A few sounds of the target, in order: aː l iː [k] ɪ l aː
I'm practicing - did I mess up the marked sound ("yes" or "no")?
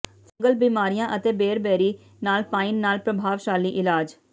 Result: yes